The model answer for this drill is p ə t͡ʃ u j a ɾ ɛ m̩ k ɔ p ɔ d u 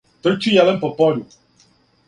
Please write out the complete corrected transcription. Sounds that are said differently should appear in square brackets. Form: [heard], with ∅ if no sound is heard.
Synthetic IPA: [t] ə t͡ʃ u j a [l] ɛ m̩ [p] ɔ p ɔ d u